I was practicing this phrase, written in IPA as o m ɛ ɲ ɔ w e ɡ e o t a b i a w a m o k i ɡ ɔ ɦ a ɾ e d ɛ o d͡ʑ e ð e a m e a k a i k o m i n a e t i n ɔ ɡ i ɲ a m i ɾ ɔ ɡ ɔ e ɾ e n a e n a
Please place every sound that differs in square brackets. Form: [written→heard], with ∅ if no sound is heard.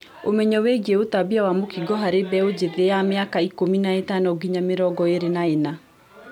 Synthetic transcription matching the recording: o m ɛ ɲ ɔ w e ɡ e o t a b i a w a m o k i ɡ ɔ ɦ a ɾ e [d→b] ɛ o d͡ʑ e ð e a m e a k a i k o m i n a e t [i→a] n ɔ ɡ i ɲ a m [i→e] ɾ ɔ ɡ ɔ e ɾ e n a e n a